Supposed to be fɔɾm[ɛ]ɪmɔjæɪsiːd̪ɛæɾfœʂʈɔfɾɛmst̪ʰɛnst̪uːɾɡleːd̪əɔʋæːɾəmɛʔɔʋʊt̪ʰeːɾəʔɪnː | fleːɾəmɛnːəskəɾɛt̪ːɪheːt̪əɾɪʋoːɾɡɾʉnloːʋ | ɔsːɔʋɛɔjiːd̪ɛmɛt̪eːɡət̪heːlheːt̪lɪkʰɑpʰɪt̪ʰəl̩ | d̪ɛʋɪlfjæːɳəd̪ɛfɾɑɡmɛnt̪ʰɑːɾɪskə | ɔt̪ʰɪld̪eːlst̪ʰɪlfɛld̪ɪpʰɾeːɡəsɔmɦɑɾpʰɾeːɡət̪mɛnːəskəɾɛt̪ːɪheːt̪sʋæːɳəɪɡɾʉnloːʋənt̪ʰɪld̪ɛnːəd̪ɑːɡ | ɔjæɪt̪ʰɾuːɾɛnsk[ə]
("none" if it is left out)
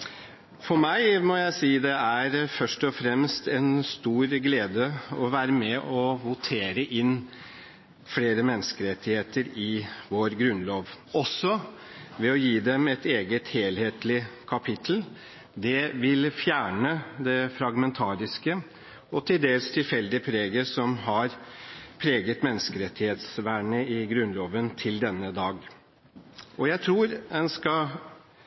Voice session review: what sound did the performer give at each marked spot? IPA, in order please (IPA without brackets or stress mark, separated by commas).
æ, ɑ